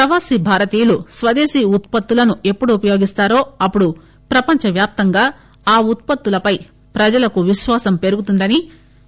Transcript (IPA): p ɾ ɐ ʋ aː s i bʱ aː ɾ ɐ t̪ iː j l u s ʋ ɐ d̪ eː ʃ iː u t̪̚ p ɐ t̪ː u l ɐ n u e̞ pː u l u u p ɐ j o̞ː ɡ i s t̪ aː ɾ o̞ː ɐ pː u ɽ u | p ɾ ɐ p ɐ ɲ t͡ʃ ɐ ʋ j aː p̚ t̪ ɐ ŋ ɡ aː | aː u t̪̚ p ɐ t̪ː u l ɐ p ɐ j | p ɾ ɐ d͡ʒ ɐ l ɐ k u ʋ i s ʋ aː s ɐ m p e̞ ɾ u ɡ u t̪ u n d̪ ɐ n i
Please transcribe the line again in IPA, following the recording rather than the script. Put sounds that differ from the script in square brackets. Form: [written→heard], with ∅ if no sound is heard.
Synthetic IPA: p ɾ ɐ ʋ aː s i bʱ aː ɾ ɐ t̪ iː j l u s ʋ ɐ d̪ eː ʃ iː u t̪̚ p ɐ t̪ː u l ɐ n u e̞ pː u [l→ɽ] u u p ɐ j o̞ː ɡ i s t̪ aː ɾ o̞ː ɐ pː u ɽ u | p ɾ ɐ p ɐ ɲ t͡ʃ ɐ ʋ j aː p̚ t̪ ɐ ŋ ɡ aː | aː u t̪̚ p ɐ t̪ː u l ɐ p ɐ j | p ɾ ɐ d͡ʒ ɐ l ɐ k u ʋ i [s→ʃ] ʋ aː s ɐ m p e̞ ɾ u ɡ u t̪ u n d̪ ɐ n i

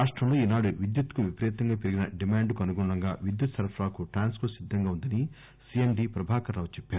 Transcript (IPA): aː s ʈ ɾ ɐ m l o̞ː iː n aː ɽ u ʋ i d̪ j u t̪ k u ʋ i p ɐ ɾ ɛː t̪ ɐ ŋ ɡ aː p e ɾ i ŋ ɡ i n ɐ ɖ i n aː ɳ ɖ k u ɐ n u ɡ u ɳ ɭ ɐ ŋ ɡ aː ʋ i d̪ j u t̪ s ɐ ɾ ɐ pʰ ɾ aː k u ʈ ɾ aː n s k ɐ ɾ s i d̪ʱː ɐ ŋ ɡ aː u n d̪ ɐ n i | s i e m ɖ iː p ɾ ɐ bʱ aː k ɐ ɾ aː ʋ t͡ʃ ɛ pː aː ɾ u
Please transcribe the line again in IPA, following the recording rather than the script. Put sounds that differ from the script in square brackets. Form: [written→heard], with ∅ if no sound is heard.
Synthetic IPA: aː [s→ʂ] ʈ ɾ ɐ m l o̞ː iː n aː ɽ u ʋ i d̪ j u t̪ k u ʋ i p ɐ ɾ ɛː t̪ ɐ ŋ ɡ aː p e ɾ i [ŋ→∅] ɡ i n ɐ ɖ i [n→m] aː ɳ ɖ k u ɐ n u ɡ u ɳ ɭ ɐ ŋ ɡ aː ʋ i d̪ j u t̪ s ɐ ɾ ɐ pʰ ɾ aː k u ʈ ɾ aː n s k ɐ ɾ s i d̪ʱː ɐ ŋ ɡ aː u n d̪ ɐ n i | s i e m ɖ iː p ɾ ɐ bʱ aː k ɐ ɾ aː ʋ t͡ʃ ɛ pː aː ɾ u

